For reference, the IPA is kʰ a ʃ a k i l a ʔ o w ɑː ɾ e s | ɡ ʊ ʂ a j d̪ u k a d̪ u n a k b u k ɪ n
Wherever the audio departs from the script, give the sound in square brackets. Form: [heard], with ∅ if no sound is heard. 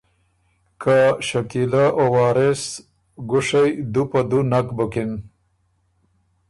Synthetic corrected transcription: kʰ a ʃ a k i l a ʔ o w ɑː ɾ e s | ɡ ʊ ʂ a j d̪ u [p] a d̪ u n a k b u k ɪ n

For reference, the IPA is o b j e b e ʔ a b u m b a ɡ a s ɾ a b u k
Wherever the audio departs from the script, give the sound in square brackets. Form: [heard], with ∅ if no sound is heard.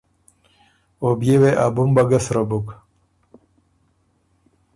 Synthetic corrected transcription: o b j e [w] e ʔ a b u m b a ɡ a s ɾ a b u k

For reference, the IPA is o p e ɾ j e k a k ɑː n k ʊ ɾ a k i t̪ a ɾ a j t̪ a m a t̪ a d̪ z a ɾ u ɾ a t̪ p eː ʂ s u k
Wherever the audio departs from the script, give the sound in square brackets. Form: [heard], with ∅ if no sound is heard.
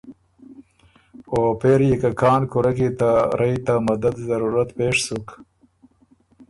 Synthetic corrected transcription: o p e ɾ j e k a k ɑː n k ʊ ɾ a k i t̪ a ɾ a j t̪ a m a [d̪] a d̪ z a ɾ u ɾ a t̪ p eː ʂ s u k

